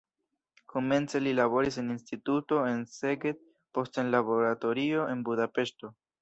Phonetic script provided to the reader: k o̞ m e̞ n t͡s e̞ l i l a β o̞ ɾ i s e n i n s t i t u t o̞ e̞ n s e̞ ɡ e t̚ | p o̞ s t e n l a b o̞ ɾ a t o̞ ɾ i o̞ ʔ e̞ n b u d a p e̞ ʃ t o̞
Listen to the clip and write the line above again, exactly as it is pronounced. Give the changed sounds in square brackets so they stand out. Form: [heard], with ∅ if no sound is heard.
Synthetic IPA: k o̞ m e̞ n t͡s e̞ l i l a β o̞ ɾ i s e n i n s t i t u t o̞ e̞ n s e̞ ɡ e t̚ | p o̞ s t e n l a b o̞ ɾ a t o̞ ɾ i o̞ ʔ e̞ n b u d a p e̞ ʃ t o̞